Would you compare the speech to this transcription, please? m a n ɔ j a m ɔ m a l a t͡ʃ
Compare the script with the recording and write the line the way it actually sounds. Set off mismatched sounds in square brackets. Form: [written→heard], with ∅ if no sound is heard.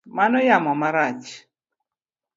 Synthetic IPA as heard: m a n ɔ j a m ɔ m a [l→ɾ] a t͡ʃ